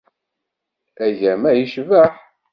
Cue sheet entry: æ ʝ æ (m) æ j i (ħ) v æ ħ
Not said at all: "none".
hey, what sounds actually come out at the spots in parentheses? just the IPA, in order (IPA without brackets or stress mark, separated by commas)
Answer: m, ʃ